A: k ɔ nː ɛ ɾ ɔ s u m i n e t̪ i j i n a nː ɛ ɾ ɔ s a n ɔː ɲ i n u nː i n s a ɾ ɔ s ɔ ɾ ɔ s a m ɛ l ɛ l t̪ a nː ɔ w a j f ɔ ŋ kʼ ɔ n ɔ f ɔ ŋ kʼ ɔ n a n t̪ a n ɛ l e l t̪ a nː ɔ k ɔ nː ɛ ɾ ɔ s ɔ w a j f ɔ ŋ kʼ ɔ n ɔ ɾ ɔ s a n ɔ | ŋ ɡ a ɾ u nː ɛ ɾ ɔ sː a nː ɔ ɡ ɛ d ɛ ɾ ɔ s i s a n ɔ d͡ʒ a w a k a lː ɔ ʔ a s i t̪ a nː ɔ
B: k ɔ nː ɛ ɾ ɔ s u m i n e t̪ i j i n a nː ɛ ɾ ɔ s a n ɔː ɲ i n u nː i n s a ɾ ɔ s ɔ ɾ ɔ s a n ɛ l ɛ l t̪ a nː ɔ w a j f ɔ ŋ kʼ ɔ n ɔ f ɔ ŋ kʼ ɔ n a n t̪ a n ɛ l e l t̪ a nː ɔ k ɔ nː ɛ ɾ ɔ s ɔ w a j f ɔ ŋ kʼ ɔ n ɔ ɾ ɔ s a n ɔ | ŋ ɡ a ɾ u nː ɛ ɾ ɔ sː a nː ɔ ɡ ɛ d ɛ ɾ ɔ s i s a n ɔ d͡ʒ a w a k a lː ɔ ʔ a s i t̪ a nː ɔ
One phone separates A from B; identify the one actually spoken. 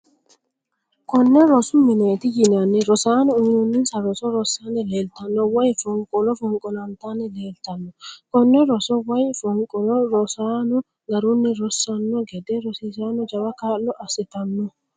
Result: B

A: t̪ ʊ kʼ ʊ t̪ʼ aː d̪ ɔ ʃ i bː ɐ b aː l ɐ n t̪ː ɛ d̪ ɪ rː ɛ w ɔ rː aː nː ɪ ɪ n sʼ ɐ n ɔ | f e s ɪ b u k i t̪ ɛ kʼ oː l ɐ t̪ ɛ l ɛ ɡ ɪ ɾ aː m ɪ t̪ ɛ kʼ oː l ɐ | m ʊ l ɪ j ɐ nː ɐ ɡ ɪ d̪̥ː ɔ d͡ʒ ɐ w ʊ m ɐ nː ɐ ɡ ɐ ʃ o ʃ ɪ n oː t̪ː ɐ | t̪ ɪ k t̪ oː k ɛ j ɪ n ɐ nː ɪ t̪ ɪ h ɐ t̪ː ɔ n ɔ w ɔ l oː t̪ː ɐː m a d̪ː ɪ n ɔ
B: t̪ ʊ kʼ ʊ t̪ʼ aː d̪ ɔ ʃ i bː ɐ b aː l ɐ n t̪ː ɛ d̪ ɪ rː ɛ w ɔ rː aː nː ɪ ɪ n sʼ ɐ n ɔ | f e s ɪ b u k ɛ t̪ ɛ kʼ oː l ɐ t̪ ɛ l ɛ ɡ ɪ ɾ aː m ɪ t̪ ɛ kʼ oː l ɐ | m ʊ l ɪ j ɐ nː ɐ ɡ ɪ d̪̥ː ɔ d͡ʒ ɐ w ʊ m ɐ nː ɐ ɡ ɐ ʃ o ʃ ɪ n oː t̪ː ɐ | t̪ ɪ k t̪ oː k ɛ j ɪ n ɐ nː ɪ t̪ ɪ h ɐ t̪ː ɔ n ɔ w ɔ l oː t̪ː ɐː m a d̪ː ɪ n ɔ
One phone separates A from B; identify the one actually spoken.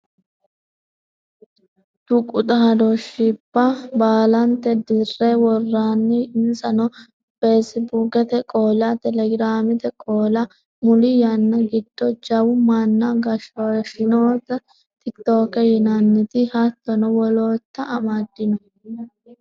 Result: B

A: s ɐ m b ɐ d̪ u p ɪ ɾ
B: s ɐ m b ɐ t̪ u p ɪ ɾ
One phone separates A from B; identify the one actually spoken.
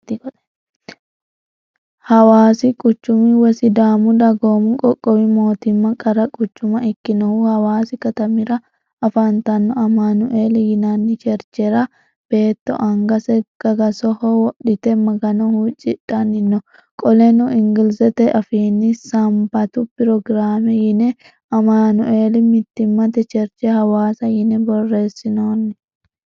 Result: B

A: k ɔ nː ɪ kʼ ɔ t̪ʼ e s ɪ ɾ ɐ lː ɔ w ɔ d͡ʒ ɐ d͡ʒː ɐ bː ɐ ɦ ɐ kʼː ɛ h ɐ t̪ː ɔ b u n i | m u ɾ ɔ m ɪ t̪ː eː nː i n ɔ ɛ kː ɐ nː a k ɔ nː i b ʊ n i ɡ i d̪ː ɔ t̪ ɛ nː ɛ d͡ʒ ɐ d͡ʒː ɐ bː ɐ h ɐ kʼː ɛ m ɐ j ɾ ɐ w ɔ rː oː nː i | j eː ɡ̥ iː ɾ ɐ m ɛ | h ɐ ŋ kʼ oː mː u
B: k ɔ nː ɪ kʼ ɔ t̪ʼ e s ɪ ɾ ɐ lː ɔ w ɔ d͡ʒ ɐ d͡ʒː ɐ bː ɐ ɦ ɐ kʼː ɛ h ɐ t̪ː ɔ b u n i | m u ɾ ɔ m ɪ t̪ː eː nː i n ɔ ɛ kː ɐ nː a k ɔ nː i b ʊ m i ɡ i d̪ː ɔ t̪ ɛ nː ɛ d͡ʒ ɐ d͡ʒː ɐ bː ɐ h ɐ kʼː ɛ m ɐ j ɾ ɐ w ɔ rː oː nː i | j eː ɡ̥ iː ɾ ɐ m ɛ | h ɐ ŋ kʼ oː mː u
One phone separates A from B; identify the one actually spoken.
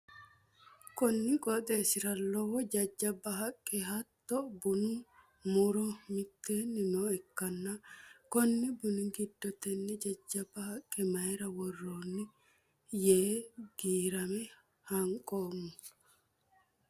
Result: A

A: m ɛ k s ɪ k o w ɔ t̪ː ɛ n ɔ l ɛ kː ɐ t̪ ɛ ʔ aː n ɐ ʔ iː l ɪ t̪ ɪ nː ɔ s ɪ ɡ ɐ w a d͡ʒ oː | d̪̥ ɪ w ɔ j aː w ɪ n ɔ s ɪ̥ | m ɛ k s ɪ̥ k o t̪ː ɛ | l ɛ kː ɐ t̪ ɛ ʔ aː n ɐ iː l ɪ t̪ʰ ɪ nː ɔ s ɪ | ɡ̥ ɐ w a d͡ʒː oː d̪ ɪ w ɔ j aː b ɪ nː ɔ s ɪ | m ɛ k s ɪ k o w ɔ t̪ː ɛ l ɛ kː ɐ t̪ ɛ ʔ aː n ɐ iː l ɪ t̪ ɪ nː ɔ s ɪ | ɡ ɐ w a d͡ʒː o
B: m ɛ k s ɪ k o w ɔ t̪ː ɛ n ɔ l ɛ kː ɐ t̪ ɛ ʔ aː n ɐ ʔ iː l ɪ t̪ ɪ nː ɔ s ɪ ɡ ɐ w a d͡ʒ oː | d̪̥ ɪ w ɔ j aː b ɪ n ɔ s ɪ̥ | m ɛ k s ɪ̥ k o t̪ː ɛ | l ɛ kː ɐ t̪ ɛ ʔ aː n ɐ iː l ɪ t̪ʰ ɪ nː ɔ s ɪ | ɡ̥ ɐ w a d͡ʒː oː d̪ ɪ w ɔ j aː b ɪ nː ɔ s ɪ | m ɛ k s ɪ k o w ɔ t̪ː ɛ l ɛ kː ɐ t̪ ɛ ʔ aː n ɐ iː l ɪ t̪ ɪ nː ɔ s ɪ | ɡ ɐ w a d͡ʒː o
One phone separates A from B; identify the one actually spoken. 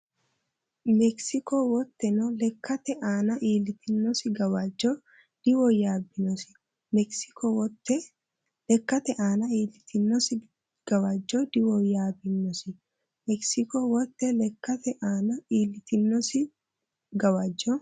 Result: B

